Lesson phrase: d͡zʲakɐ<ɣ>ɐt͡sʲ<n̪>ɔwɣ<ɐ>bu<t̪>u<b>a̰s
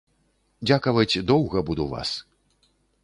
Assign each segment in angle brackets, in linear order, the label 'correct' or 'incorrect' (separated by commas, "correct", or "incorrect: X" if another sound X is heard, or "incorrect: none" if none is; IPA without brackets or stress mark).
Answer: incorrect: v, incorrect: d̪, correct, incorrect: d̪, incorrect: v